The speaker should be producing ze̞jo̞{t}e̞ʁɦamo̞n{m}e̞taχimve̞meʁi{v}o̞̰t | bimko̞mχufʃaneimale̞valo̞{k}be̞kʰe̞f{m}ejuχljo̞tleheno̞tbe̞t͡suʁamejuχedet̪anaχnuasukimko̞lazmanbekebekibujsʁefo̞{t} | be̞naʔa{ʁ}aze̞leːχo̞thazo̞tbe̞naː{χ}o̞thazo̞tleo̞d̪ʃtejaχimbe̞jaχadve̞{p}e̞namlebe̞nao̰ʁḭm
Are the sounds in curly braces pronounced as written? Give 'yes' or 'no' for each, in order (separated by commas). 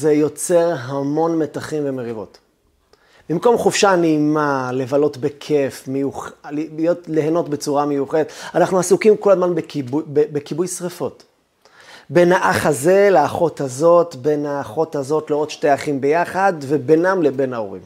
no, yes, yes, no, yes, yes, no, yes, no